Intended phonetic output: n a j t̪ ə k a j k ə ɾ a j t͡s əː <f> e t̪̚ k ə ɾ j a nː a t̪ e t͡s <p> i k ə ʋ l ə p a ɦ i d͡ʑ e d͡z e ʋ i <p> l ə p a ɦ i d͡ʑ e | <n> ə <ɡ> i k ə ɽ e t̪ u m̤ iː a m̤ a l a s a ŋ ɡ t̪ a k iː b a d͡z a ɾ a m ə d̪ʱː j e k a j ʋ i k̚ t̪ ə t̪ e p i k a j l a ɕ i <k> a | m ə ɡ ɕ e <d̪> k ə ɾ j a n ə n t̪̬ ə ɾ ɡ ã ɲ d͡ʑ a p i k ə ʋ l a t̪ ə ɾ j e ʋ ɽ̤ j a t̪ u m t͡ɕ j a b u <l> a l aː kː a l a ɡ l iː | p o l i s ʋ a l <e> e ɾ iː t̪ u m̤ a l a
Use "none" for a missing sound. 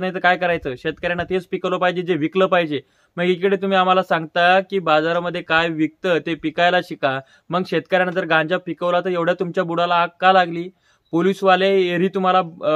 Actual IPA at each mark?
ɕ, p, k, m, ɡ, k, t̪, ɽ, e

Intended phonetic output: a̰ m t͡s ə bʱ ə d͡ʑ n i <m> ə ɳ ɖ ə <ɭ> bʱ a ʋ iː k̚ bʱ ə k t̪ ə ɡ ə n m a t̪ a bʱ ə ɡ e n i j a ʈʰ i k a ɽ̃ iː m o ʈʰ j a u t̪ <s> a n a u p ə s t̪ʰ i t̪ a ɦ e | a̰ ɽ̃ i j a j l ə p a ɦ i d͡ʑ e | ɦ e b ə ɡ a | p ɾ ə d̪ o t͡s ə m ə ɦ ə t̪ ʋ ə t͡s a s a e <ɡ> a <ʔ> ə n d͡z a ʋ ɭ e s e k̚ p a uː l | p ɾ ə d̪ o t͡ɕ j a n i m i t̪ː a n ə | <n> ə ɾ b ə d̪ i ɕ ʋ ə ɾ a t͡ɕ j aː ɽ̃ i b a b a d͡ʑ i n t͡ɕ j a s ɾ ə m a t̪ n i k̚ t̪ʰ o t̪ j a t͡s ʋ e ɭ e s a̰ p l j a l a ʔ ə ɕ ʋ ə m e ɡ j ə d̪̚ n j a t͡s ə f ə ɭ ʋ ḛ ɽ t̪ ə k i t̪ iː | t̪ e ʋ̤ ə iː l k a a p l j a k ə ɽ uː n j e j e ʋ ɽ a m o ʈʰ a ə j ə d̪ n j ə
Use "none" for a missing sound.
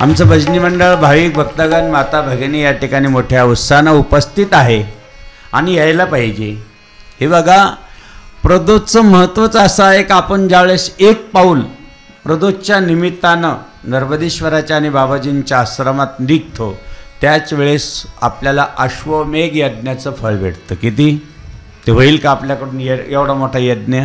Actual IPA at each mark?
m, ɭ, s, k, p, n

